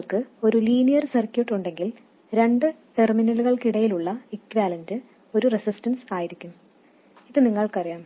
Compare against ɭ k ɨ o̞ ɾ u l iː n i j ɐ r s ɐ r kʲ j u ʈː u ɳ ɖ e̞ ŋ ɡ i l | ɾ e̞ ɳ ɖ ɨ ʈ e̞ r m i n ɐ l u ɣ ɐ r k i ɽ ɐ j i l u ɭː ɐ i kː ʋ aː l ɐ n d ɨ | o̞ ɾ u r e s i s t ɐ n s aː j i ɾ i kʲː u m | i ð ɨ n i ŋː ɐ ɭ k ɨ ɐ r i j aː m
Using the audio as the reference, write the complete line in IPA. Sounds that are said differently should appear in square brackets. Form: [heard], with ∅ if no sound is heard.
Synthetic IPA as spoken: ɭ k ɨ o̞ ɾ u l iː n i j ɐ r s ɐ r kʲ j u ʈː u ɳ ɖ e̞ ŋ ɡ i l | ɾ e̞ ɳ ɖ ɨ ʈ e̞ r m i n ɐ l u ɣ ɐ [ɭ] k i ɽ ɐ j i l u ɭː ɐ i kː ʋ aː l ɐ n d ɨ | o̞ ɾ u r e s i s t ɐ n s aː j i ɾ i kʲː u m | i ð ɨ n i ŋː ɐ ɭ k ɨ ɐ r i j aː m